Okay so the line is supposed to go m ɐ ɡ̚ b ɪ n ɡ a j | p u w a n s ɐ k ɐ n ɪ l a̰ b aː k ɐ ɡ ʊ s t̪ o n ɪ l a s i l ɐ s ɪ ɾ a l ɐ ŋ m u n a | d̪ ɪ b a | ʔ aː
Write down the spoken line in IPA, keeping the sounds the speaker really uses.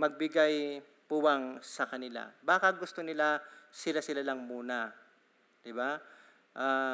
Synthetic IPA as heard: m ɐ ɡ̚ b ɪ ɡ a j | p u w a ŋ s ɐ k ɐ n ɪ l a̰ b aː k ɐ ɡ ʊ s t̪ o n ɪ l a s ɪ l a s ɪ l a l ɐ ŋ m uː n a | d̪ ɪ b a | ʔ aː